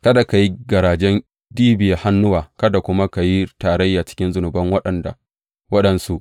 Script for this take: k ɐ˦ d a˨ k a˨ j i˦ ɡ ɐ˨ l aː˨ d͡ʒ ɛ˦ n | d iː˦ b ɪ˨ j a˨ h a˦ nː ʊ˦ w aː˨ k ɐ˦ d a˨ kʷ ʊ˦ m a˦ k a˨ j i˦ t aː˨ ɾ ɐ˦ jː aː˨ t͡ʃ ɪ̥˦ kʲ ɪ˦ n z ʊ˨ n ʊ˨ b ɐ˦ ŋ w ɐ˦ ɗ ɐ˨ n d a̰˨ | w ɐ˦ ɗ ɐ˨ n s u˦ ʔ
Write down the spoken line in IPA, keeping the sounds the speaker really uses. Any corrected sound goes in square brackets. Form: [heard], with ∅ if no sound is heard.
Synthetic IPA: k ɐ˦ d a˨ k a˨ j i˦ ɡ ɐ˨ [ɾ] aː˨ d͡ʒ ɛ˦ n | d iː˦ b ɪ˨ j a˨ h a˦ nː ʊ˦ w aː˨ k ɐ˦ d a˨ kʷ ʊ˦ m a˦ k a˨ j i˦ t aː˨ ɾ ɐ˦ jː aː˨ t͡ʃ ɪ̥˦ kʲ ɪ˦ n z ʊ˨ n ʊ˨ b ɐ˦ ŋ w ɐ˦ ɗ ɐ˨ n d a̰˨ | w ɐ˦ ɗ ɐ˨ n s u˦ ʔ